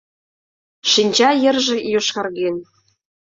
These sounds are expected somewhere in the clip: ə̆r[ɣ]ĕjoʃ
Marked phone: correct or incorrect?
incorrect